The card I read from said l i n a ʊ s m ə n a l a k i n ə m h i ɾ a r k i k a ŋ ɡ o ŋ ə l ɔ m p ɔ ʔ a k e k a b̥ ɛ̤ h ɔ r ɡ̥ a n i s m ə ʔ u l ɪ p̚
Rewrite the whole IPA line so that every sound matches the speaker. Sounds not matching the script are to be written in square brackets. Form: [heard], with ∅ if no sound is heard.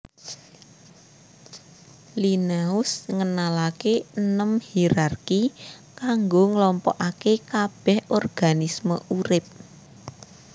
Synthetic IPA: l i n a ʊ s [ŋ] ə n a l a k [e] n ə m h i ɾ a r k i k a ŋ ɡ o ŋ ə l ɔ m p ɔ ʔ a k e k a b̥ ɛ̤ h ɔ r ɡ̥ a n i s m ə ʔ u [ɾ] ɪ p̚

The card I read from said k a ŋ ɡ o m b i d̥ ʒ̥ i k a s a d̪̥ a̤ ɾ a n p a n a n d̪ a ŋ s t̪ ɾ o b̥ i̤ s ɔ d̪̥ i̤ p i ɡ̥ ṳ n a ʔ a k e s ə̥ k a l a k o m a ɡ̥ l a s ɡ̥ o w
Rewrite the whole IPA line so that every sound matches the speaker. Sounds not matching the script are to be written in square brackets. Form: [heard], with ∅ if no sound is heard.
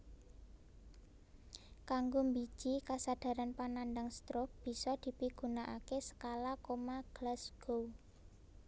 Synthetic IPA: k a ŋ ɡ o m b i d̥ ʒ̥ i k a s a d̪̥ a̤ ɾ a n p a n a n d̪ a ŋ s t̪ ɾ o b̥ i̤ s ɔ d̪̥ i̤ p i ɡ̥ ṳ n a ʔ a k e s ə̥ k a l a k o m a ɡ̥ l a s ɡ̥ o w

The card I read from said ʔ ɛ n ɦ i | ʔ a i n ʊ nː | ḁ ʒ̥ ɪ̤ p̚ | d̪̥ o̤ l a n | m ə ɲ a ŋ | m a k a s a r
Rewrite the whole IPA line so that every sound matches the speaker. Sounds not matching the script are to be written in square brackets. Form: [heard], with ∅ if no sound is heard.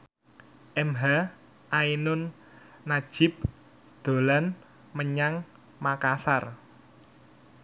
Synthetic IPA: ʔ ɛ [m] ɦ [a] | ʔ a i n ʊ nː | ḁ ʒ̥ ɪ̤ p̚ | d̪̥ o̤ l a n | m ə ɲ a ŋ | m a k a s a r

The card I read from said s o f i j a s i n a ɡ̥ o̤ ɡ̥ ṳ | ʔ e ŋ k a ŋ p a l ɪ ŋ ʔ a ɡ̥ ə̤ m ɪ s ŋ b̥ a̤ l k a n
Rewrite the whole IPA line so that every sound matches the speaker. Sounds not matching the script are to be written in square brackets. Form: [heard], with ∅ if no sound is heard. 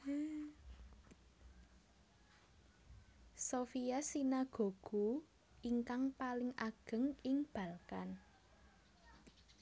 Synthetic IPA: s o f i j a s i n a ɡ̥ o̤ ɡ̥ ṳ | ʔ [i] ŋ k a ŋ p a l ɪ ŋ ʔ a ɡ̥ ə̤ [ŋ] ɪ [∅] ŋ b̥ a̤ l k a n

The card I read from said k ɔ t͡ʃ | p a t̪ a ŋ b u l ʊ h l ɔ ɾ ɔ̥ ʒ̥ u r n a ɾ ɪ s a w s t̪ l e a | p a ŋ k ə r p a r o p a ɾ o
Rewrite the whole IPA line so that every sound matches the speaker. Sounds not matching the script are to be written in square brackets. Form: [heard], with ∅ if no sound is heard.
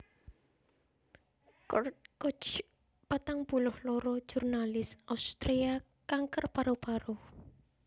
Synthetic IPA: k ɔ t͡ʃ | p a t̪ a ŋ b u l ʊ h l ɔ ɾ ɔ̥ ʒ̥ u r n a [l] ɪ s a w s t̪ [ɾ] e a | [k] a ŋ k ə r p a [ɾ] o p a ɾ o

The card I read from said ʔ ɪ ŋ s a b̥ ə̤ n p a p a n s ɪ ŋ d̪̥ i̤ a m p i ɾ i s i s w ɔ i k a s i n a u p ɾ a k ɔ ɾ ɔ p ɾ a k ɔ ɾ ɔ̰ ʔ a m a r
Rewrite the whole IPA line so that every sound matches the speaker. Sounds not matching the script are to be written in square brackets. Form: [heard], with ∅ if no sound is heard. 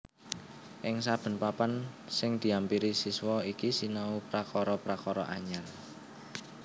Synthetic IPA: ʔ ɪ ŋ s a b̥ ə̤ n p a p a n s ɪ ŋ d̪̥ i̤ a m p i ɾ i s i s w ɔ i k [i] s i n a u p ɾ a k ɔ ɾ ɔ p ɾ a k ɔ ɾ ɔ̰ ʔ a [ɲ] a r

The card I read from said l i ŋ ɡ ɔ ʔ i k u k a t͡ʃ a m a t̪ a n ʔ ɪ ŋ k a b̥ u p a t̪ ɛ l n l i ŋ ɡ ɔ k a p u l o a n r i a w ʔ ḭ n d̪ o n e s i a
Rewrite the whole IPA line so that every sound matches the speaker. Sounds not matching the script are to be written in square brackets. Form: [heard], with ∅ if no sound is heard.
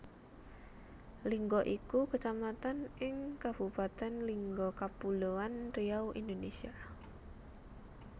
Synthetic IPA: l i ŋ ɡ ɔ ʔ i k u k [ə] t͡ʃ a m a t̪ a n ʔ ɪ ŋ k a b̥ u p a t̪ ɛ [∅] n l i ŋ ɡ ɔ k a p u l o a n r i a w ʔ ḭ n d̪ o n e s i a

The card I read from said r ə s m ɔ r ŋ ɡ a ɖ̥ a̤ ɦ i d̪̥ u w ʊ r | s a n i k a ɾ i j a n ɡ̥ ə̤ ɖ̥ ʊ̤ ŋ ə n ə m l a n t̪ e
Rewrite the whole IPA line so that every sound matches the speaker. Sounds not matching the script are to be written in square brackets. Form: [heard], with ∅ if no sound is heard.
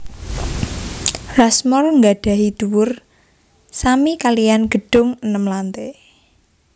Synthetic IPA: r [a] s m ɔ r ŋ ɡ a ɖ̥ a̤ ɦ i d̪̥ u w ʊ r | s a [m] i k a [l] i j a n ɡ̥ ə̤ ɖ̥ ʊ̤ ŋ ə n ə m l a n t̪ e

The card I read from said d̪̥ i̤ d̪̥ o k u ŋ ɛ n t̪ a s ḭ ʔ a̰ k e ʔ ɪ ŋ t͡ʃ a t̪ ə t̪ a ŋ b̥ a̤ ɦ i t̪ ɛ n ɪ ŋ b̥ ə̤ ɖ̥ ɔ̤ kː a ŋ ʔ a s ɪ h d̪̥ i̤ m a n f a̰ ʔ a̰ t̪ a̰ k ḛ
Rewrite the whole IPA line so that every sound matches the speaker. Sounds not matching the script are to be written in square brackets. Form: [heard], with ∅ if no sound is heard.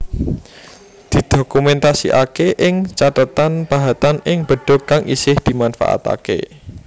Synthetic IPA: d̪̥ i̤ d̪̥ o k u [m] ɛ n t̪ a s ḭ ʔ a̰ k e ʔ ɪ ŋ t͡ʃ a t̪ ə t̪ a [n] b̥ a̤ ɦ [a] t̪ [a] n ɪ ŋ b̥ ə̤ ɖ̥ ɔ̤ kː a ŋ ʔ [i] s ɪ h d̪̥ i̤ m a n f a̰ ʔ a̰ t̪ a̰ k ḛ

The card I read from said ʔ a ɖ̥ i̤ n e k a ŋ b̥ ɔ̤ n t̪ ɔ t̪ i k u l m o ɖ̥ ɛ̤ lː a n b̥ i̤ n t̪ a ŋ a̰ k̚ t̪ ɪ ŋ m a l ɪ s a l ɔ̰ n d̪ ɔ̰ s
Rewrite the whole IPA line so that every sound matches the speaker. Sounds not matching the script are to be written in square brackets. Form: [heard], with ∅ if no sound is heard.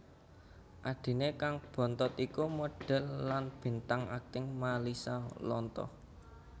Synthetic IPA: ʔ a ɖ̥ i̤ n e k a ŋ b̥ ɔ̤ n t̪ ɔ t̪ i k u [∅] m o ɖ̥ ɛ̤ lː a n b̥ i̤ n t̪ a ŋ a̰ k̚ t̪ ɪ ŋ m a l [i] s a l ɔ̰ n [t̪] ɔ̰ [h]

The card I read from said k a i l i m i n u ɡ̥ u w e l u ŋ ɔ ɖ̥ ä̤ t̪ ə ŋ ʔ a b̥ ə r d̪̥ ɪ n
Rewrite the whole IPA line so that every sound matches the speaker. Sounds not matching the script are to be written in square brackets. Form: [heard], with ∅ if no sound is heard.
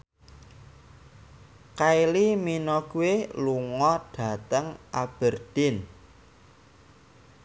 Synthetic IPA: k a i l i m i n [ɔ] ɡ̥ u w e l u ŋ ɔ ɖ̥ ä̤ t̪ ə ŋ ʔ a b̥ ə r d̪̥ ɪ n

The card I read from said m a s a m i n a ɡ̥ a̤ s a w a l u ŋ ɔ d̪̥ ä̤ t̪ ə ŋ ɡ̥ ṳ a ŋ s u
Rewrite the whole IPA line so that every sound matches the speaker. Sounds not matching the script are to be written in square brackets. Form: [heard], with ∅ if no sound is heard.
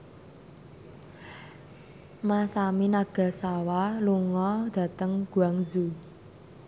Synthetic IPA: m a s a m i n a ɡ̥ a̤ s a w a l u ŋ ɔ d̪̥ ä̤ t̪ ə ŋ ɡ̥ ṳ a ŋ [z] u

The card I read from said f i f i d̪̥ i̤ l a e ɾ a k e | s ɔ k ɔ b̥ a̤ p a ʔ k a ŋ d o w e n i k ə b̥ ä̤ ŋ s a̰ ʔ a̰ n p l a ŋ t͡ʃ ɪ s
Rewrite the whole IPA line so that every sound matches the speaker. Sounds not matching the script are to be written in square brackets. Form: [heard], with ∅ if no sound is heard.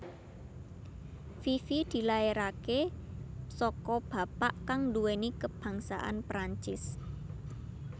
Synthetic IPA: f i f i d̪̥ i̤ l a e ɾ a k e | s ɔ k ɔ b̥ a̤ p a ʔ k a ŋ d [u] w e n i k ə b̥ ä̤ ŋ s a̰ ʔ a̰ n p [ɾ] a [ɲ] t͡ʃ ɪ s

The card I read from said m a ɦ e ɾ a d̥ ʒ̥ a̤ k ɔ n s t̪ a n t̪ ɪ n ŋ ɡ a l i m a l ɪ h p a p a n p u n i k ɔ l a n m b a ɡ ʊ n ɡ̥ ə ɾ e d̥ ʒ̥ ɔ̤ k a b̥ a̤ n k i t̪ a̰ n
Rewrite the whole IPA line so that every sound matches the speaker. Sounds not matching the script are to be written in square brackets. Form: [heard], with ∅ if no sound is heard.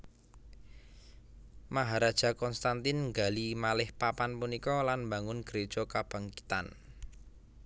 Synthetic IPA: m a ɦ [a] ɾ a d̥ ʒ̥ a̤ k ɔ n s t̪ a n t̪ ɪ n ŋ ɡ a l i m a l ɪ h p a p a n p u n i k ɔ l a n m b a [ŋ] ʊ n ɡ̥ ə ɾ e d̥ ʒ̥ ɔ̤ k a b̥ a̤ [ŋ] k i t̪ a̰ n

